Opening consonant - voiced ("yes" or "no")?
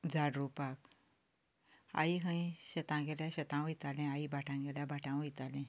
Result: yes